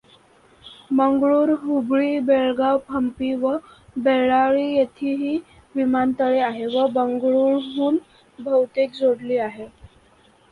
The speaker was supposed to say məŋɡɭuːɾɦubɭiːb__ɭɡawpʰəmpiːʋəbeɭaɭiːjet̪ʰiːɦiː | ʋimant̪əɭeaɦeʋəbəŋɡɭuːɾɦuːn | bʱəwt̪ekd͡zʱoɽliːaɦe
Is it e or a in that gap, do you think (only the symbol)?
e